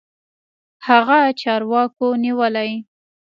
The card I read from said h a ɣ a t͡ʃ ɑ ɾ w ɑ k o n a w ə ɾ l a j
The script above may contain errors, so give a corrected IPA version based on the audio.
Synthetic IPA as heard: h a ɣ a t͡ʃ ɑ ɾ w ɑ k o n i w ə l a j